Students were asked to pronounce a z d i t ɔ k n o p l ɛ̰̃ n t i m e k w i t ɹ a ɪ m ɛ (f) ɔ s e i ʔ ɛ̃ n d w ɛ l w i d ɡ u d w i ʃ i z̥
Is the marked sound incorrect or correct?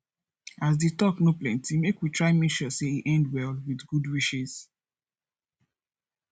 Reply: incorrect